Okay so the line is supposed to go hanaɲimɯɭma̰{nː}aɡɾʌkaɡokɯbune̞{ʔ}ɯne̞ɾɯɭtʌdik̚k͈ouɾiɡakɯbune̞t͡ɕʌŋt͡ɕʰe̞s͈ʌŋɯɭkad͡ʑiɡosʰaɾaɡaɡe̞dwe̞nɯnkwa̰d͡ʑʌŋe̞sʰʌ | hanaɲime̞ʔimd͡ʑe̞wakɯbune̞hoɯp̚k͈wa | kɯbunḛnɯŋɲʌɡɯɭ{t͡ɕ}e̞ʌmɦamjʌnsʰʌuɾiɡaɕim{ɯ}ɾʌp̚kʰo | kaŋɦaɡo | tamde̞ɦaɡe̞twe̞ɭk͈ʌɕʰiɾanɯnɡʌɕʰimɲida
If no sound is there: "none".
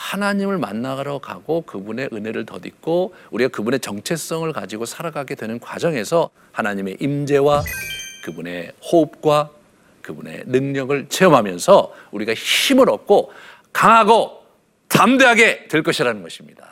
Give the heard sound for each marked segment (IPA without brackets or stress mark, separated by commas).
nː, ʔ, t͡ɕʰ, ɯ